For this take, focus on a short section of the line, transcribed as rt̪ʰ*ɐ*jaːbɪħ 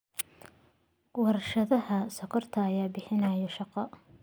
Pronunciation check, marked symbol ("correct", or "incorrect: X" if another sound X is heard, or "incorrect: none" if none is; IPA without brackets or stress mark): incorrect: ɐː